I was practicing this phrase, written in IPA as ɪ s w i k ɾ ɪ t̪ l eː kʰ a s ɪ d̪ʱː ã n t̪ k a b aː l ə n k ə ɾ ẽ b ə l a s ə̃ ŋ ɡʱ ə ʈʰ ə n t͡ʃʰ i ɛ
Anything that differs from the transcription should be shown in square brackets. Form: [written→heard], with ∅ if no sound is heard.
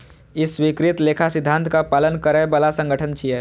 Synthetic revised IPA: ɪ s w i k ɾ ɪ t̪ l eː kʰ a s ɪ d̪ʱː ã n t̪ k a [b→p] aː l ə n k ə ɾ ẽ b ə l a s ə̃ ŋ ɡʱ ə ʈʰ ə n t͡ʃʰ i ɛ